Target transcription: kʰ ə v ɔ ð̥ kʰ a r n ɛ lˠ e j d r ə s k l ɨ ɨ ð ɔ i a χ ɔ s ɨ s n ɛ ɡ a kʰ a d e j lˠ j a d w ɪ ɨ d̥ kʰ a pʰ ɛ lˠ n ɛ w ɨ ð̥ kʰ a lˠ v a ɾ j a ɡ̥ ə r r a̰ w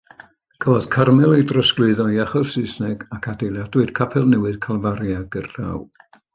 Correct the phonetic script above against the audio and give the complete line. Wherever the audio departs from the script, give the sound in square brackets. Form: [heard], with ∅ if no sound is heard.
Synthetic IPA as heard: kʰ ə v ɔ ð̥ kʰ a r [m] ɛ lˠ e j d r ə s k l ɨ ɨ ð ɔ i a χ ɔ s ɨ s n ɛ ɡ a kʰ a d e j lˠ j a d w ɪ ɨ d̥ kʰ a pʰ ɛ lˠ n ɛ w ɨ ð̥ kʰ a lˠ v a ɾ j a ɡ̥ ə r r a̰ w